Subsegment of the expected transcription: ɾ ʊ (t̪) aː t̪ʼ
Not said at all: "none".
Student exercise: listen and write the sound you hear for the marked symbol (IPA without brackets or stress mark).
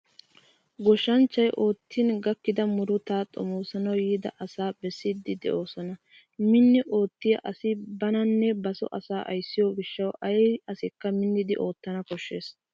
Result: t̪